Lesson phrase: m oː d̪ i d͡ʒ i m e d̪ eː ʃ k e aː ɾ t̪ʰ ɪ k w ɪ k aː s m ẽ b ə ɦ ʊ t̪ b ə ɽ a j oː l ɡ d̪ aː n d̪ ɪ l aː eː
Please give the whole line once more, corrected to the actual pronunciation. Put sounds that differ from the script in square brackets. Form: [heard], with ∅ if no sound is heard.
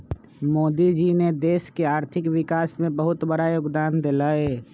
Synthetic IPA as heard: m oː d̪ i d͡ʒ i [n] e d̪ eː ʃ k e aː ɾ t̪ʰ ɪ k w ɪ k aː s m ẽ b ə ɦ ʊ t̪ b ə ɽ a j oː [∅] ɡ d̪ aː n d̪ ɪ l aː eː